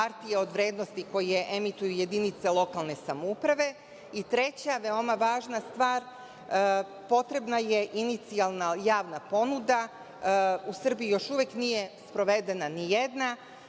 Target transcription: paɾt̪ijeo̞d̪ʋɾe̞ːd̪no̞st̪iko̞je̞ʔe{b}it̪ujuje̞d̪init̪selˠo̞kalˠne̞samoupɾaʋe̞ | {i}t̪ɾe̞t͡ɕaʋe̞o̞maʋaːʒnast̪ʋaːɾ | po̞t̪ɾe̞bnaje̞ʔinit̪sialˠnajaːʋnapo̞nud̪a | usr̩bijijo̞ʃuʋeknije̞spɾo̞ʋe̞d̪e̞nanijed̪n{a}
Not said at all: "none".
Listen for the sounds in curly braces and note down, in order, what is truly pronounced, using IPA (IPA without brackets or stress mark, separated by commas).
m, i, a